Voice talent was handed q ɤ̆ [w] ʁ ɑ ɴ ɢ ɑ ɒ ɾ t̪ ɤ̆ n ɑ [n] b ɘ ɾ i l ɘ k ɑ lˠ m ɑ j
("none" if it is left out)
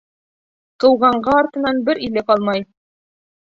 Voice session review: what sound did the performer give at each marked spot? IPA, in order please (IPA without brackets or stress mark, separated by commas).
w, n